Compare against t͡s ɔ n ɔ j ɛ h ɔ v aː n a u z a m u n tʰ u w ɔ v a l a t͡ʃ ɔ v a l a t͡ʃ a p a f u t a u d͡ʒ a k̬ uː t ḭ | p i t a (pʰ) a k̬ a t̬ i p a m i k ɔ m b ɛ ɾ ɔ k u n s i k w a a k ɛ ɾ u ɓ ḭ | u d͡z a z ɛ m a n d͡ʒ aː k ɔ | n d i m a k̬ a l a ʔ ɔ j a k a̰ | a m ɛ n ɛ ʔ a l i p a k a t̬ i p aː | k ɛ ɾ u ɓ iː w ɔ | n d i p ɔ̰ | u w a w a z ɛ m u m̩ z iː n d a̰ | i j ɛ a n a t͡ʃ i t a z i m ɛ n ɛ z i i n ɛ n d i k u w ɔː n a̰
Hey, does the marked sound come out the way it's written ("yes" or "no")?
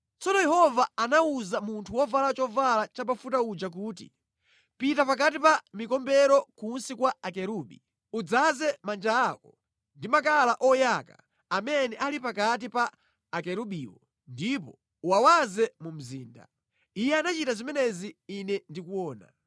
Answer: no